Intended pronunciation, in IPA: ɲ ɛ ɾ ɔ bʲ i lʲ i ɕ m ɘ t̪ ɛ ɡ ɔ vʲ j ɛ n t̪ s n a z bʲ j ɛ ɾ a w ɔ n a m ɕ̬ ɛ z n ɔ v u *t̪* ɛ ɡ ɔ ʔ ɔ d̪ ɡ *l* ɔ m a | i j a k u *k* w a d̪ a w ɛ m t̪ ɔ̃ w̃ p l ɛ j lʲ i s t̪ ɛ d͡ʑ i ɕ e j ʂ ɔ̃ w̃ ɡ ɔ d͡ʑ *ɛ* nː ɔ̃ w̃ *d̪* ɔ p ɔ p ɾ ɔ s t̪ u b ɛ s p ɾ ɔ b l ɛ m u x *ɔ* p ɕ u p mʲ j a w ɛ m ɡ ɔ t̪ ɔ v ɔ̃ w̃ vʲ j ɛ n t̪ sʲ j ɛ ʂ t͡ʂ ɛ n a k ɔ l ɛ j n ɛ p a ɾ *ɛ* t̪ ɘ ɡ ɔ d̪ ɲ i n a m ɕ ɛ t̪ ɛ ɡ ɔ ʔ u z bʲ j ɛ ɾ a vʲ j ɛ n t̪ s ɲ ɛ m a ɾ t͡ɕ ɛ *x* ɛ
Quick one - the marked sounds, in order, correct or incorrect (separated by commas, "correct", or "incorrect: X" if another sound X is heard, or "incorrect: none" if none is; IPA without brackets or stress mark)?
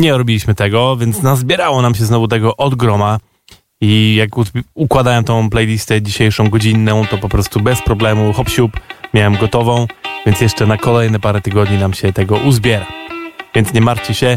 correct, incorrect: ɾ, correct, incorrect: i, incorrect: t̪, correct, correct, incorrect: ɕ